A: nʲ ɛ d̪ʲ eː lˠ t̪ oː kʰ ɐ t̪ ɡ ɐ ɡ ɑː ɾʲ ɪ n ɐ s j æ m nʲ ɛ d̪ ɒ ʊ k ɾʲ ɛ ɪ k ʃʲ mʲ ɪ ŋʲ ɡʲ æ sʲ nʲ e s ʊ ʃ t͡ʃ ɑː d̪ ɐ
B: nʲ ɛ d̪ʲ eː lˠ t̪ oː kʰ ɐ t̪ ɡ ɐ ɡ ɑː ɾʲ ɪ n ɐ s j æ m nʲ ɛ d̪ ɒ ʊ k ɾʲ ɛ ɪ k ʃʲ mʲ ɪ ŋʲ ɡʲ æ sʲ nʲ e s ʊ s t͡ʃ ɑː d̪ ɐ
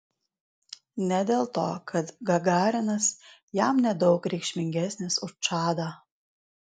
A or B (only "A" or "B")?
A